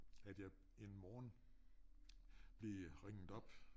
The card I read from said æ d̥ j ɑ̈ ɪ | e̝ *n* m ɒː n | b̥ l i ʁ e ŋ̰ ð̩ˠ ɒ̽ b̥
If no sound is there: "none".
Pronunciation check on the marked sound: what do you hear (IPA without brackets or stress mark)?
n